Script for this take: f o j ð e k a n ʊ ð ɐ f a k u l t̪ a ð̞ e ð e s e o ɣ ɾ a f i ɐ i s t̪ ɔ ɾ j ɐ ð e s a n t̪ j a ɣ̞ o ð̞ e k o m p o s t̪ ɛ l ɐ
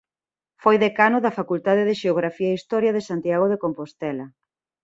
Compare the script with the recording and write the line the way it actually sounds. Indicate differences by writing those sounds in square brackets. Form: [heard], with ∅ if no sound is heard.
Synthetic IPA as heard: f o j ð e k a n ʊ ð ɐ f a k u l t̪ a ð̞ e ð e [ʃ] e o ɣ ɾ a f i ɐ i s t̪ ɔ ɾ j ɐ ð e s a n t̪ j a ɣ̞ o ð̞ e k o m p o s t̪ ɛ l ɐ

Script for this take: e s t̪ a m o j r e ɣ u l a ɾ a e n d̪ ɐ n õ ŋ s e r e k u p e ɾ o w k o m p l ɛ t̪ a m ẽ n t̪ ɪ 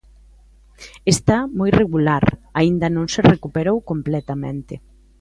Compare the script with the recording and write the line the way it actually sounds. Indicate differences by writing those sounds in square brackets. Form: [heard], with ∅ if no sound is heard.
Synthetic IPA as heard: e s t̪ a m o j r e ɣ u l a ɾ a [i] n d̪ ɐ n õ ŋ s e r e k u p e ɾ o w k o m p l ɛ t̪ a m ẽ n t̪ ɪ

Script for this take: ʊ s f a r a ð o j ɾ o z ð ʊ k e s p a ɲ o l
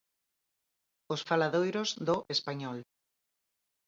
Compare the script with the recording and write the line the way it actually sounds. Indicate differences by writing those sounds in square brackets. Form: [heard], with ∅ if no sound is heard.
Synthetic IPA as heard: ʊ s f a [l] a ð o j ɾ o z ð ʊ [ʔ] e s p a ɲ [ɔ] l

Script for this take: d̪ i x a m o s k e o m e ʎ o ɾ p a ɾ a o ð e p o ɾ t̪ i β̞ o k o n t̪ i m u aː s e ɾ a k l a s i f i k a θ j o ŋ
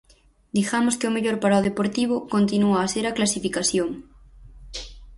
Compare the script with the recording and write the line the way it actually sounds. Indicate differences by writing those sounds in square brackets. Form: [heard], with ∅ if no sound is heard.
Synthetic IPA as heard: d̪ i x a m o s k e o m e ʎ o ɾ p a ɾ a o ð e p o ɾ t̪ i β̞ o k o n t̪ i [n] u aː s e ɾ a k l a s i f i k a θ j o ŋ

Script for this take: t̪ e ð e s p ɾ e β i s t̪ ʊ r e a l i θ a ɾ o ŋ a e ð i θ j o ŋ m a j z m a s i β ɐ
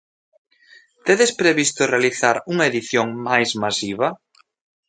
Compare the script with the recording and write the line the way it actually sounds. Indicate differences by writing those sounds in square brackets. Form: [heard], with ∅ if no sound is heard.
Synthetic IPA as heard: t̪ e ð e s p ɾ e β i s t̪ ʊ r e a l i θ a ɾ [u] ŋ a e ð i θ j o ŋ m a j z m a s i β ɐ

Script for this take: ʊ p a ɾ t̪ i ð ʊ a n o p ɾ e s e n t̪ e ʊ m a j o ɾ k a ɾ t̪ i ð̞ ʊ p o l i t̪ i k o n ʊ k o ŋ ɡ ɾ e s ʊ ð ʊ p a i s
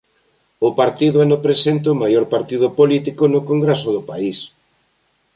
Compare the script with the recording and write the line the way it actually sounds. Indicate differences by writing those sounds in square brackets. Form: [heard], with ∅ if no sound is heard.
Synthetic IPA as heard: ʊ p a ɾ t̪ i ð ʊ a n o p ɾ e s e n t̪ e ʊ m a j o ɾ [p] a ɾ t̪ i ð̞ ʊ p o l i t̪ i k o n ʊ k o ŋ ɡ ɾ e s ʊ ð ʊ p a i s

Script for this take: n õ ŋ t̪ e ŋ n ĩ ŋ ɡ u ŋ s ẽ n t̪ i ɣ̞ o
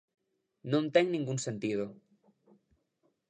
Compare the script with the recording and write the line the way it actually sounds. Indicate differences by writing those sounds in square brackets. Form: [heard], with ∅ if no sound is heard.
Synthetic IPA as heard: n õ [n] t̪ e ŋ n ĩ ŋ ɡ u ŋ s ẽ n t̪ i [ð̞] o

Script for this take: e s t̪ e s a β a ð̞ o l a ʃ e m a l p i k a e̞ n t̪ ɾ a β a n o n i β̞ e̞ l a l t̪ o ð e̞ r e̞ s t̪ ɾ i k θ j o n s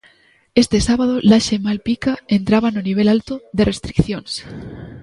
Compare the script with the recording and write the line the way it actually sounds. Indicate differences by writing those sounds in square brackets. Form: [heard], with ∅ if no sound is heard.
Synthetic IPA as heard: e s t̪ e s a β a ð̞ o l a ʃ e m a l p i k a e̞ n t̪ ɾ a β a n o n i β̞ e̞ l a l t̪ o ð e̞ r e̞ s t̪ ɾ i k θ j o n s

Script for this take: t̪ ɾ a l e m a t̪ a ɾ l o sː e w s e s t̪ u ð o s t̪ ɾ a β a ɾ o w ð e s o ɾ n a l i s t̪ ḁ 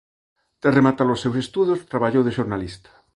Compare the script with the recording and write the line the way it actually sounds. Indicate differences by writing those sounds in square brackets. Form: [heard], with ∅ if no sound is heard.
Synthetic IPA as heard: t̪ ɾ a [r] e m a t̪ a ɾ l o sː e w s e s t̪ u ð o s t̪ ɾ a β a [ʎ] o w ð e [ʃ] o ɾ n a l i s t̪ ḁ

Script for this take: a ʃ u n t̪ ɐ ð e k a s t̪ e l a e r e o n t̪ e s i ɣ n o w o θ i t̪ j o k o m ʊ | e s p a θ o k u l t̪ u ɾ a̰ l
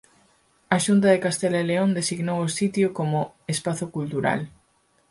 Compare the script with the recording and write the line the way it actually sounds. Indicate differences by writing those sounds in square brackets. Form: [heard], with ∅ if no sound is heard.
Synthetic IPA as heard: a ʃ u n t̪ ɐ ð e k a s t̪ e l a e [l] e o n [d̪] e s i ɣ n o w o [s] i t̪ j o k o m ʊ | e s p a θ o k u l t̪ u ɾ a̰ l

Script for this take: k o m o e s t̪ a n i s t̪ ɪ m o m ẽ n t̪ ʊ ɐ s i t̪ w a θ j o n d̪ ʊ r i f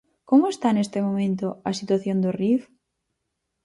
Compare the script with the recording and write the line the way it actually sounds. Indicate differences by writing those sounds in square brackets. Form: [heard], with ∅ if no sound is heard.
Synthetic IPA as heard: k o m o e s t̪ a n [e] s t̪ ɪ m o m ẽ n t̪ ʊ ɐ s i t̪ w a θ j o n d̪ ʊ r i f

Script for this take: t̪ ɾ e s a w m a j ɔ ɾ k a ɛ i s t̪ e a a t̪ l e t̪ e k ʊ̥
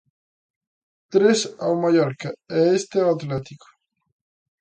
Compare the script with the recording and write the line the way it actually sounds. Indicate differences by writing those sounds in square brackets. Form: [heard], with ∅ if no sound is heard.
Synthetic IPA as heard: t̪ ɾ e s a w m a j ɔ ɾ k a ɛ [e] s t̪ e a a t̪ l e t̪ [i] k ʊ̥

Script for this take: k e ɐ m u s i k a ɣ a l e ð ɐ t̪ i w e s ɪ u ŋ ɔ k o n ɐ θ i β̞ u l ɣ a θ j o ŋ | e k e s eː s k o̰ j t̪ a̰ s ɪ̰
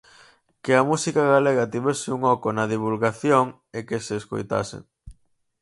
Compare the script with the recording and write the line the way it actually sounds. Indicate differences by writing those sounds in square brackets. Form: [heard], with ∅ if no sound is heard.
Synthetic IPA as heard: k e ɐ m u s i k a ɣ a l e [ɣ] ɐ t̪ i [β] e s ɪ u ŋ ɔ k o n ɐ [ð] i β̞ u l ɣ a θ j o ŋ | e k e s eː s k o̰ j t̪ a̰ s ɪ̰

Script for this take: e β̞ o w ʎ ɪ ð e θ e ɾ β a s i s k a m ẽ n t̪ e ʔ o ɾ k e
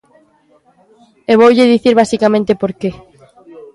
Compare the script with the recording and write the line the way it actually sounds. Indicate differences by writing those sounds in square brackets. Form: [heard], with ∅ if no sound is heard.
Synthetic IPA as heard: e β̞ o w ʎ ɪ ð [i] θ [i] ɾ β a s i [∅] k a m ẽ n t̪ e [p] o ɾ k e

